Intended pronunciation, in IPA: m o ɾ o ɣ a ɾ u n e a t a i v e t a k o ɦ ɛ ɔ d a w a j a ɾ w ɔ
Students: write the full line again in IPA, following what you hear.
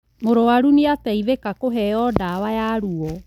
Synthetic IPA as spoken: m o ɾ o w a ɾ u n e a t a i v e k a k o ɦ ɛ ɔ d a w a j a ɾ u ɔ